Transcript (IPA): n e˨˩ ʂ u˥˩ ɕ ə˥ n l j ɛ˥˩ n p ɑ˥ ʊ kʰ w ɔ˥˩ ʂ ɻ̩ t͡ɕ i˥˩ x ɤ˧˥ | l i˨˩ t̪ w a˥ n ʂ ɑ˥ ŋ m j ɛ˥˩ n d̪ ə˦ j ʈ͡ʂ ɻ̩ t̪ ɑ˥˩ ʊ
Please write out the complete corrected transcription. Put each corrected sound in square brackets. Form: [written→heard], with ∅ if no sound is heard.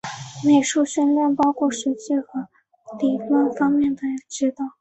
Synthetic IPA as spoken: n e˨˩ ʂ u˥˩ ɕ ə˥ n l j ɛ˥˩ n p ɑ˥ ʊ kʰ w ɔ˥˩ ʂ ɻ̩ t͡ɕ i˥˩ x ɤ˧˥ | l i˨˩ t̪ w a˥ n [ʂ→f] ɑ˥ ŋ m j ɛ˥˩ n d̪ [ə˦→ə˩] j ʈ͡ʂ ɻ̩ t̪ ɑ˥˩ ʊ